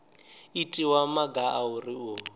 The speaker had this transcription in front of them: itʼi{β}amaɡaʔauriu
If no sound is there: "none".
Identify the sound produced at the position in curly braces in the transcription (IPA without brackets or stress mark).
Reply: w